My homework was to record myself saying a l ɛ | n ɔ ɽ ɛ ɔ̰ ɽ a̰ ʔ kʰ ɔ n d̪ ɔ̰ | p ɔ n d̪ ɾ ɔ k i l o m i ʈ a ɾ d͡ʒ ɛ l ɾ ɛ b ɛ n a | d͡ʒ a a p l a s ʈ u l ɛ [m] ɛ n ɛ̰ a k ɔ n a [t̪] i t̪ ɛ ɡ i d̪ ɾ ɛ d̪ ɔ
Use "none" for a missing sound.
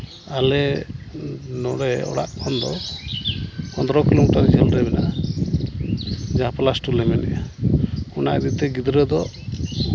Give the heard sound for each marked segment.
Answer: m, d̪

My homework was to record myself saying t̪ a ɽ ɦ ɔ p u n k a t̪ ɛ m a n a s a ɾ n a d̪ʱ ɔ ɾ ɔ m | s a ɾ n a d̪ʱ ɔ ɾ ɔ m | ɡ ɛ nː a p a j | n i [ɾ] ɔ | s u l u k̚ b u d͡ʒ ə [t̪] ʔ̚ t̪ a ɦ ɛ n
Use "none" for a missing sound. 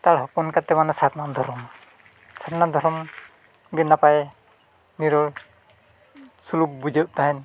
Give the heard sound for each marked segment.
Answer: ɾ, none

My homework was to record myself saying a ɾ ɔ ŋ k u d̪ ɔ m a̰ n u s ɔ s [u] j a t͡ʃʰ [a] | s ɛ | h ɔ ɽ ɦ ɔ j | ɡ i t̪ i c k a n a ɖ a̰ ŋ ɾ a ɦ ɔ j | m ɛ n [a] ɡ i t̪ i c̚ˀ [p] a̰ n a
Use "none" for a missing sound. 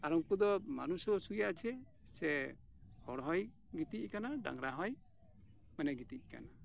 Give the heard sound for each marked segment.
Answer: u, ɛ, ɛ, k

